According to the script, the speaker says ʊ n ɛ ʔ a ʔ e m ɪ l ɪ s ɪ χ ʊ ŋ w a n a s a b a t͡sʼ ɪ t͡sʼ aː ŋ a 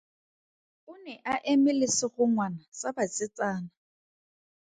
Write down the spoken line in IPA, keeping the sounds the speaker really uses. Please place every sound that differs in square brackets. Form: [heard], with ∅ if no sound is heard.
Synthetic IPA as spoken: ʊ n ɛ ʔ a ʔ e m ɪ l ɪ s ɪ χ ʊ ŋ w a n a s a b a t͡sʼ ɪ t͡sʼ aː [n] a

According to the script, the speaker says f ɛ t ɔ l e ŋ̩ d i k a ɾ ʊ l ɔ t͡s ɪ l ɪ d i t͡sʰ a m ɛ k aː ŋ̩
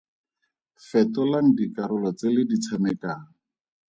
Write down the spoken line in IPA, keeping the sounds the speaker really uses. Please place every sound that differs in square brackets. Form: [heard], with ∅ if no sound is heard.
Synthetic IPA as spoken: f ɛ t ɔ l [a] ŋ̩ d i k a ɾ ʊ l ɔ t͡s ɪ l ɪ d i t͡sʰ a m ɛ k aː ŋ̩

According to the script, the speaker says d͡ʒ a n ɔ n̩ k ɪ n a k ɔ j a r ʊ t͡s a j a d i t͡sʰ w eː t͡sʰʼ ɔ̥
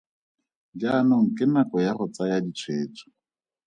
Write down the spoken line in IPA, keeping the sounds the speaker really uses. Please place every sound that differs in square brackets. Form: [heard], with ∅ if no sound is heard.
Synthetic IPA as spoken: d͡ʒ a n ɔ [ŋ̩] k ɪ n a k ɔ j a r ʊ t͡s a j a d i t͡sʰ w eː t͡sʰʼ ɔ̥

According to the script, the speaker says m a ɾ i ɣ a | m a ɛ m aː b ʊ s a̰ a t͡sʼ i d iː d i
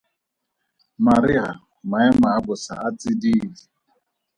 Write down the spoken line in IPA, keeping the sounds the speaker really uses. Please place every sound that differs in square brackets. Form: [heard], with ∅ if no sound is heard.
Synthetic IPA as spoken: m a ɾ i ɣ a | m a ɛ m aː b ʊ s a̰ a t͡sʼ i d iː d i

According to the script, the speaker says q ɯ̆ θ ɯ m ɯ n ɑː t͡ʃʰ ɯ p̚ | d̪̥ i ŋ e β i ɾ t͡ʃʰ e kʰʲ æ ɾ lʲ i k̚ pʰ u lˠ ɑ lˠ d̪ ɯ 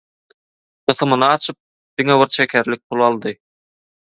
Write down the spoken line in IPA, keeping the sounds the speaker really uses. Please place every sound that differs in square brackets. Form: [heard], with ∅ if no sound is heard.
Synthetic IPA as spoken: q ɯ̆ θ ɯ m ɯ n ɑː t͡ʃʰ ɯ p̚ | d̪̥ i ŋ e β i ɾ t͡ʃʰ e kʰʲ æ ɾ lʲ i k̚ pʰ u lˠ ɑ lˠ d̪ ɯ

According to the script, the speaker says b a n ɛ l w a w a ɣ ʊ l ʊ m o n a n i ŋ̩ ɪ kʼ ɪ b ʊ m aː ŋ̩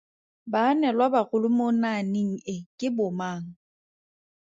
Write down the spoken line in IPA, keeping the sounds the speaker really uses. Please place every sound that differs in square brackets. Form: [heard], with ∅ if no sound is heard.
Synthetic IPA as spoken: b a n ɛ l w a [b] a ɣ ʊ l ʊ m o n a n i ŋ̩ ɪ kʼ ɪ b ʊ m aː ŋ̩

